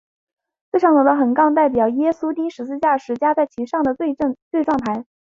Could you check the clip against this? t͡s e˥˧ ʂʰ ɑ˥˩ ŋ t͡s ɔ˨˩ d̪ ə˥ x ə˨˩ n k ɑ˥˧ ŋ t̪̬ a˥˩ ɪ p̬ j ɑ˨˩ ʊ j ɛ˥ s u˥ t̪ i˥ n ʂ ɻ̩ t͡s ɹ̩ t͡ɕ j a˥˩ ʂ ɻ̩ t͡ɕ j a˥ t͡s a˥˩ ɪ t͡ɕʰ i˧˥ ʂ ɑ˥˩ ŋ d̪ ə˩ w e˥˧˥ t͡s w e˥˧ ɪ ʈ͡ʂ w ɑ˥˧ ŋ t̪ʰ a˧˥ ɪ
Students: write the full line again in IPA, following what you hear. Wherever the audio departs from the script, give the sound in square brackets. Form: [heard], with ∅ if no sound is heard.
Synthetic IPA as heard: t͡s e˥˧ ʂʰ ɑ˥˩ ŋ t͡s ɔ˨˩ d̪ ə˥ x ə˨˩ n k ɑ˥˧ ŋ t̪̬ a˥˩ ɪ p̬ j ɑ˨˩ ʊ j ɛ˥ s u˥ t̪ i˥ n ʂ ɻ̩ t͡s ɹ̩ t͡ɕ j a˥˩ ʂ ɻ̩ t͡ɕ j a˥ t͡s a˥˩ ɪ t͡ɕʰ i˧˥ ʂ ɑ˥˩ ŋ d̪ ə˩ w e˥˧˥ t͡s w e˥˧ ɪ ʈ͡ʂ w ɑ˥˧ ŋ t̪ʰ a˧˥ ɪ

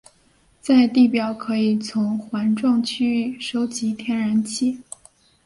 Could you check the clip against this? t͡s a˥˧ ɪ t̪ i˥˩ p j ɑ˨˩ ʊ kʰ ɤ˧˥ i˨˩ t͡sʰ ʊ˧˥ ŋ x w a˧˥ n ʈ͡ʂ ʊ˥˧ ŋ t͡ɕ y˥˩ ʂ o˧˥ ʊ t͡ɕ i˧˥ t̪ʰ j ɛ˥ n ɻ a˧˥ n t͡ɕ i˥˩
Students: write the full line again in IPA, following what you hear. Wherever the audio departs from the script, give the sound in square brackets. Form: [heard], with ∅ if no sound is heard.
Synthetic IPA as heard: t͡s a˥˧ ɪ t̪ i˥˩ p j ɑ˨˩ ʊ kʰ ɤ˧˥ i˨˩ t͡sʰ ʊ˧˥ ŋ x w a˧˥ n ʈ͡ʂ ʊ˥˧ ŋ [t͡ɕʰ] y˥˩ ʂ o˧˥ ʊ t͡ɕ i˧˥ t̪ʰ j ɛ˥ n ɻ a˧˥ n [t͡ɕʰ] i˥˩

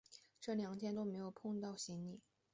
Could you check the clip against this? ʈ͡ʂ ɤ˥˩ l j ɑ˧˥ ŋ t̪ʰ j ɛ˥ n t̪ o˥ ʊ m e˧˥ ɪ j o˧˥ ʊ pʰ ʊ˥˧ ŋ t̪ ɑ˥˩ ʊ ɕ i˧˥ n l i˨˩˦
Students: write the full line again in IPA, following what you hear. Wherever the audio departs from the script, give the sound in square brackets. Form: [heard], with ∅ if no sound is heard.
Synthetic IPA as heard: ʈ͡ʂ ɤ˥˩ l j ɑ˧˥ ŋ t̪ʰ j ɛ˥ n t̪ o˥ ʊ m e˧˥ ɪ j [o˨˩] ʊ pʰ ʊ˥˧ ŋ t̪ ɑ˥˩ ʊ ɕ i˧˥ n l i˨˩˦

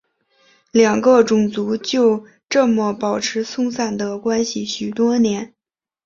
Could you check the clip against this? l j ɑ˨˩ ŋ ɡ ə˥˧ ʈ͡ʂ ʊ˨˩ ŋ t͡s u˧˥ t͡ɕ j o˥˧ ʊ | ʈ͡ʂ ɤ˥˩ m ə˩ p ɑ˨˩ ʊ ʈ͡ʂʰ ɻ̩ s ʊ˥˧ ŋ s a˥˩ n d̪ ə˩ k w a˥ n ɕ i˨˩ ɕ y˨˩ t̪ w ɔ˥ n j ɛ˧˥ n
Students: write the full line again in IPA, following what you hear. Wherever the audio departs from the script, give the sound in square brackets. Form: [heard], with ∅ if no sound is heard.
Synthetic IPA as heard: l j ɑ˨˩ ŋ ɡ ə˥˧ ʈ͡ʂ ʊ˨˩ ŋ t͡s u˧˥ t͡ɕ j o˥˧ ʊ | ʈ͡ʂ ɤ˥˩ m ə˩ p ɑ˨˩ ʊ ʈ͡ʂʰ ɻ̩ s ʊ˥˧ ŋ s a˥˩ n d̪ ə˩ k w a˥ n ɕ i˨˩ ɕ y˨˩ t̪ w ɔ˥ n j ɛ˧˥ n

